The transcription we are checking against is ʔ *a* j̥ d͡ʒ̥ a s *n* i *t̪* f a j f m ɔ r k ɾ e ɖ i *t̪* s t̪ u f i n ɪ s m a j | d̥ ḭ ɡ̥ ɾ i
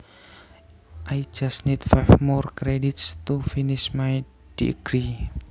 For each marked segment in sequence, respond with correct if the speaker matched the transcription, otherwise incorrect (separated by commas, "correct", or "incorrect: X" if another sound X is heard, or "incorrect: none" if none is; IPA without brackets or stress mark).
correct, correct, correct, correct